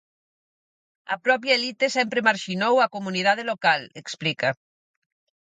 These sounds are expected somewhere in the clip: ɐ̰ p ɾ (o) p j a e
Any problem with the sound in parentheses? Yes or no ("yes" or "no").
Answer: yes